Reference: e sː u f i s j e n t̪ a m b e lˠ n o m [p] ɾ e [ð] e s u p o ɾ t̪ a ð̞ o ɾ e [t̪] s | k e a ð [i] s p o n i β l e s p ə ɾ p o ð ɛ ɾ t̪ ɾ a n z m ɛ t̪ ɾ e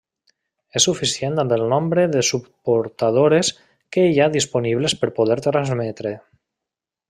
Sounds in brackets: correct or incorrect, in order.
incorrect: b, correct, incorrect: none, correct

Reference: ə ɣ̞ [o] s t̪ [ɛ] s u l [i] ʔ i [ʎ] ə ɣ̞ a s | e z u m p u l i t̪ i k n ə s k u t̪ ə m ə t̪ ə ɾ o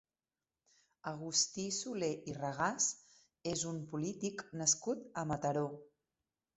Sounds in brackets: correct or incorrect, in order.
incorrect: u, incorrect: i, incorrect: e, incorrect: r

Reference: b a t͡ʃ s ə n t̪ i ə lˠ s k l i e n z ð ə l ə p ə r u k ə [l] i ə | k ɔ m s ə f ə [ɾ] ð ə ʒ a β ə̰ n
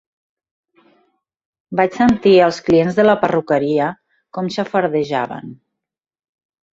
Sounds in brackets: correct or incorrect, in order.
incorrect: ɾ, correct

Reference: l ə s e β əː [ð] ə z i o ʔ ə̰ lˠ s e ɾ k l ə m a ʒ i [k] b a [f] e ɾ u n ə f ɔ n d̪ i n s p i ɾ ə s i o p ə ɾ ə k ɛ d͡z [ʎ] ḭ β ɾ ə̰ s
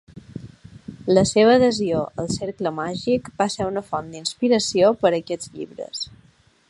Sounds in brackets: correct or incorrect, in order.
correct, correct, incorrect: s, correct

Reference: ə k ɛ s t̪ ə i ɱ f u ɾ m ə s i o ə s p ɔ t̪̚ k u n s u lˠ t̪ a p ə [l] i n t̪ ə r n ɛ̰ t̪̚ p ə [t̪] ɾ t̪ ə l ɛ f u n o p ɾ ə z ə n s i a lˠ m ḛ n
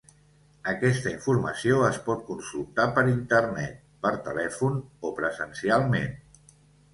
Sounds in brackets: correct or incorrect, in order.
incorrect: ɾ, incorrect: none

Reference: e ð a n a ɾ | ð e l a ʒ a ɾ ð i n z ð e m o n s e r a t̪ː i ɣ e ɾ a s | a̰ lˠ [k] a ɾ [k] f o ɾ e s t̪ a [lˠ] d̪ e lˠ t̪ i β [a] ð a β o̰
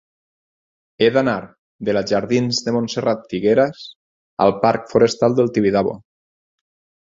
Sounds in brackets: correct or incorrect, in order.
incorrect: p, correct, correct, incorrect: i

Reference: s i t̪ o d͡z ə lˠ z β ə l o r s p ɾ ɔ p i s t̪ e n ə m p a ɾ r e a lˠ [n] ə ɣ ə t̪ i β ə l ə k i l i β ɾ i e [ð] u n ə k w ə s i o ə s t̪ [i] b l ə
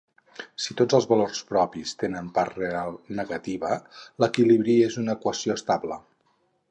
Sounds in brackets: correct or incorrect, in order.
correct, incorrect: z, incorrect: a

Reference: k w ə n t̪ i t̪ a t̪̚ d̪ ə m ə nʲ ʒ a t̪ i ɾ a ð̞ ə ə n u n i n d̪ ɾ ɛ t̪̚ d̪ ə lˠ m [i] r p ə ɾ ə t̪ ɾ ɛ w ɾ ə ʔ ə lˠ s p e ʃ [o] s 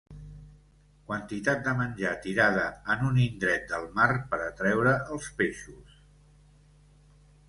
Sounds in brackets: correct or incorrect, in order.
incorrect: a, incorrect: u

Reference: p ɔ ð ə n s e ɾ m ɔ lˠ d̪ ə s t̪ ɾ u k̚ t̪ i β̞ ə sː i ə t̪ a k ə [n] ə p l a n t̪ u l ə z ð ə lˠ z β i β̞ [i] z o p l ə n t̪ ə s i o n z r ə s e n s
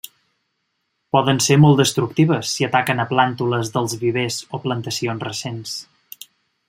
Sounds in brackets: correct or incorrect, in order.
correct, incorrect: e

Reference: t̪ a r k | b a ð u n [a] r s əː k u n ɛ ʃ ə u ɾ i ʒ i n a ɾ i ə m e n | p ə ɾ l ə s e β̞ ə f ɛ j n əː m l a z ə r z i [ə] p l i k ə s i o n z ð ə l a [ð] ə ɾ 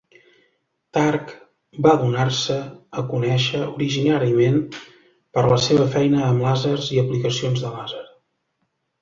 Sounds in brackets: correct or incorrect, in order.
correct, correct, incorrect: z

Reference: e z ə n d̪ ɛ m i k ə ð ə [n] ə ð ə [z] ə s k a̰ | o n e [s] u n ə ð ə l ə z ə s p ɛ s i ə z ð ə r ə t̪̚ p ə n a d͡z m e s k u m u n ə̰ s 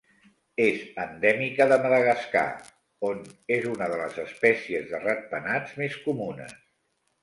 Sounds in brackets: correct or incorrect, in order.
incorrect: m, incorrect: ɣ, incorrect: z

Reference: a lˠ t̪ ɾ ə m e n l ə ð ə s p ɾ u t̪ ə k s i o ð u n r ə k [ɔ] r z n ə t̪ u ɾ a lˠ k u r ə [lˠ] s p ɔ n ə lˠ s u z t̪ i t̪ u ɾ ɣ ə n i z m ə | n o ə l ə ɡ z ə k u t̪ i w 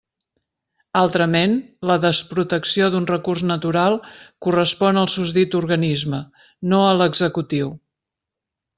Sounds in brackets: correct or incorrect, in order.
incorrect: u, incorrect: none

